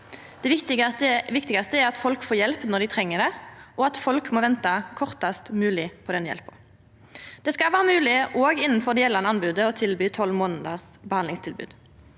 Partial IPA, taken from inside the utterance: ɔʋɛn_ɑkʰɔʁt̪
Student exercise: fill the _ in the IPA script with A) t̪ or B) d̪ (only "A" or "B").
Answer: A